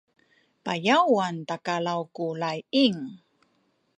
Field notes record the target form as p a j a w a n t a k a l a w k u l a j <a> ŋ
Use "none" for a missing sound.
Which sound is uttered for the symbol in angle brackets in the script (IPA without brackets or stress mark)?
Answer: i